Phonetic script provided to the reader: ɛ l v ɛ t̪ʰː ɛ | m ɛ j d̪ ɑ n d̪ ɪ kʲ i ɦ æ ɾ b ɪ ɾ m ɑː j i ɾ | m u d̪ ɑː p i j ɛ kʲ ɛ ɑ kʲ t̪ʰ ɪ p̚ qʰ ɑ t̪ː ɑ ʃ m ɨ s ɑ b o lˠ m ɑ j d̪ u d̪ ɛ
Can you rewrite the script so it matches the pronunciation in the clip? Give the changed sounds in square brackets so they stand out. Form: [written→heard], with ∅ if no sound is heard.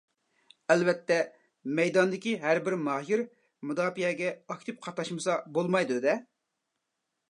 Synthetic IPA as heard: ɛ l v ɛ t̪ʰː ɛ | m ɛ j d̪ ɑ n d̪ ɪ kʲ i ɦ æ ɾ b ɪ ɾ m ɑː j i ɾ | m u d̪ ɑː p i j ɛ [kʲ→ɡʲ] ɛ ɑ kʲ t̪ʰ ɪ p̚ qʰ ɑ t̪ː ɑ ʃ m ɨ s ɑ b o lˠ m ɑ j d̪ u d̪ ɛ

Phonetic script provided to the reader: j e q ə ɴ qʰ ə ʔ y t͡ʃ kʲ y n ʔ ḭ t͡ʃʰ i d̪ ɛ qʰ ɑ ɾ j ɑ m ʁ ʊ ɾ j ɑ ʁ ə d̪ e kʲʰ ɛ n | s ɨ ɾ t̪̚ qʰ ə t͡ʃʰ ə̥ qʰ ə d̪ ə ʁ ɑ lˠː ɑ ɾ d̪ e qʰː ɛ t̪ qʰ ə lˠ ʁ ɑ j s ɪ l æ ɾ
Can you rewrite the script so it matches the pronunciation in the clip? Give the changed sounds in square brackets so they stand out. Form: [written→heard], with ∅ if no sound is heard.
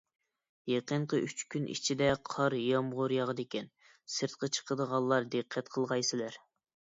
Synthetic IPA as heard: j e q ə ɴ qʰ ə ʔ y t͡ʃ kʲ y n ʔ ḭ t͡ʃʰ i d̪ ɛ qʰ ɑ ɾ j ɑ m ʁ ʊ ɾ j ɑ ʁ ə d̪ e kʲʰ ɛ n | s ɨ ɾ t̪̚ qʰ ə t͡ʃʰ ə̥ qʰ ə d̪ ə ʁ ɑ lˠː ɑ ɾ d̪ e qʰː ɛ t̪ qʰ ə lˠ ʁ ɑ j s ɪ l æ ɾ

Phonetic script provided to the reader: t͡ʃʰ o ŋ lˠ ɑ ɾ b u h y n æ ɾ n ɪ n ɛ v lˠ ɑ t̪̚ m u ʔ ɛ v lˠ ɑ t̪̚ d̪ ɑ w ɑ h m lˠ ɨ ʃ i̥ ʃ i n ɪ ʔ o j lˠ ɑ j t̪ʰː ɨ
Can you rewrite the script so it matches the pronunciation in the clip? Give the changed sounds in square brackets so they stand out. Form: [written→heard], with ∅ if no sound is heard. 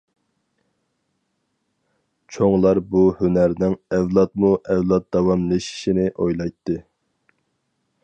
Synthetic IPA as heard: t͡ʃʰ o ŋ lˠ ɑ ɾ b u h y n æ ɾ n ɪ [n→ŋ] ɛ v lˠ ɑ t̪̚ m u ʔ ɛ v lˠ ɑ t̪̚ d̪ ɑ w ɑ [h→∅] m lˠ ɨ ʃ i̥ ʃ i n ɪ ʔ o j lˠ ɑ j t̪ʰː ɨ

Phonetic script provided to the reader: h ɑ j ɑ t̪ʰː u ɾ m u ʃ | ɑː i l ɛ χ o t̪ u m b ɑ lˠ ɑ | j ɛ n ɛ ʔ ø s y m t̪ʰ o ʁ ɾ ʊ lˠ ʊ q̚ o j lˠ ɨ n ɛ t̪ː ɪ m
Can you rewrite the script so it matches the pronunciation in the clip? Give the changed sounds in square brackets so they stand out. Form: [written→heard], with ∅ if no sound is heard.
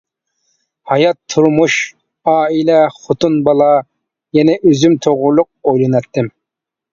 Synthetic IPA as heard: h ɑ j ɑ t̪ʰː u ɾ m u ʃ | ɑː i l ɛ χ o t̪ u [m→n] b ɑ lˠ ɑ | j ɛ n ɛ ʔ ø [s→z] y m t̪ʰ o ʁ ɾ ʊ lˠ ʊ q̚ o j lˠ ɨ n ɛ t̪ː ɪ m

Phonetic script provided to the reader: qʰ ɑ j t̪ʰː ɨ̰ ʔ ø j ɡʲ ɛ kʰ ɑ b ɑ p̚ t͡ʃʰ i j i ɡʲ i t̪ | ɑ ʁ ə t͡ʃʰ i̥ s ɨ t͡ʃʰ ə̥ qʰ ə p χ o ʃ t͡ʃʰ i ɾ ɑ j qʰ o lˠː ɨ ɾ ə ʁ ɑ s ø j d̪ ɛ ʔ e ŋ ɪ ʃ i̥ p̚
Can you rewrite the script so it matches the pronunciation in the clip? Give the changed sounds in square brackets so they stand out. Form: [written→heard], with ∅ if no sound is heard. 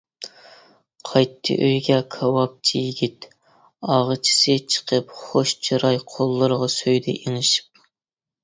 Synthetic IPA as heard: qʰ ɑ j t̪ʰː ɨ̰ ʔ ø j ɡʲ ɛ kʰ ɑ [b→w] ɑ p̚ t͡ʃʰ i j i ɡʲ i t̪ | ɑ ʁ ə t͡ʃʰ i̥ s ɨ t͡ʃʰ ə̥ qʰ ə p χ o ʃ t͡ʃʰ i ɾ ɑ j qʰ o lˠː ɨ ɾ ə ʁ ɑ s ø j d̪ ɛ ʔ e ŋ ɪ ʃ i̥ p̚

